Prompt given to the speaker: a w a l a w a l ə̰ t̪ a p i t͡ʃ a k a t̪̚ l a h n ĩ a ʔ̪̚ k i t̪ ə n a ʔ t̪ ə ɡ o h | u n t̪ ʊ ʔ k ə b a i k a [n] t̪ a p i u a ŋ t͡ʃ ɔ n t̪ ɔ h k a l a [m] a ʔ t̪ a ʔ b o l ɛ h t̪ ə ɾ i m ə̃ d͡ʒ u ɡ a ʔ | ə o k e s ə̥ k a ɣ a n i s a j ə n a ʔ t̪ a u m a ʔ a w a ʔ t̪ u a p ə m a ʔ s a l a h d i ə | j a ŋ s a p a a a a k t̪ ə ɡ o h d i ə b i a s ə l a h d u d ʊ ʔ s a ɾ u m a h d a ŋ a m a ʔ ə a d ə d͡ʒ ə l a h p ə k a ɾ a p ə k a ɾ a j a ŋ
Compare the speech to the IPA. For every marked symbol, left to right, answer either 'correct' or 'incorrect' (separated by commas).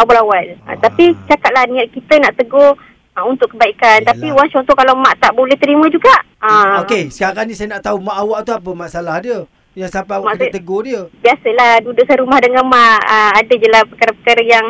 correct, correct